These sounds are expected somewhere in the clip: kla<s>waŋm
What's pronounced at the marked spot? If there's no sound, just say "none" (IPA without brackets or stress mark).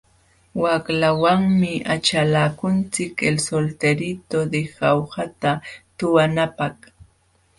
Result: none